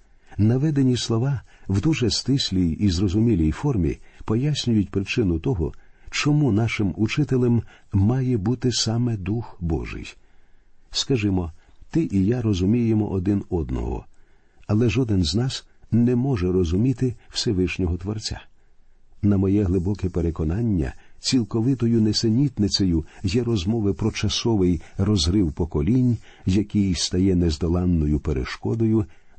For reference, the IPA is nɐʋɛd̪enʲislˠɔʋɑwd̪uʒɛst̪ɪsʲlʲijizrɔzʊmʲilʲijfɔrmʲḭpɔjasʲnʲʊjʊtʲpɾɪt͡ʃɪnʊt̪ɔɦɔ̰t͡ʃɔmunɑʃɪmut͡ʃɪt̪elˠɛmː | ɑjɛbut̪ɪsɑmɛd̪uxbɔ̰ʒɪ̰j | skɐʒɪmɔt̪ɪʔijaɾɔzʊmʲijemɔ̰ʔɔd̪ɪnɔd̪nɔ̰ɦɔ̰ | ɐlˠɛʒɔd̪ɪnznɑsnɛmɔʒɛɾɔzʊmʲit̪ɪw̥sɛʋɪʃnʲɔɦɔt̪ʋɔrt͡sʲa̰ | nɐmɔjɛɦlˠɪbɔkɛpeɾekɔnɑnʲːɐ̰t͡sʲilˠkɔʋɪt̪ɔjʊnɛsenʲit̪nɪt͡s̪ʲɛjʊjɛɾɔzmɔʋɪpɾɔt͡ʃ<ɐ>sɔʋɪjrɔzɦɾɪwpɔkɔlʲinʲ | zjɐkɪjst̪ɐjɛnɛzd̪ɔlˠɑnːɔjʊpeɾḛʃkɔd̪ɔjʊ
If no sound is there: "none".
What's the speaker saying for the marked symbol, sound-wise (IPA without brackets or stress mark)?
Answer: ɐ